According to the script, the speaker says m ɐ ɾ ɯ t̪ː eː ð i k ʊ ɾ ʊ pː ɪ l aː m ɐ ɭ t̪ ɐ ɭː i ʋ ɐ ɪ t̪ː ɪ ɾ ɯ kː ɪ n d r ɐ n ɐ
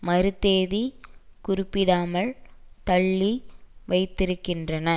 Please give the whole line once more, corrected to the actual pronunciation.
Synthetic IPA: m ɐ ɾ ɯ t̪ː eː ð i k ʊ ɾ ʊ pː ɪ ɽ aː m ɐ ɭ t̪ ɐ ɭː i ʋ ɐ ɪ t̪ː ɪ ɾ ɯ kː ɪ n d r ɐ n ɐ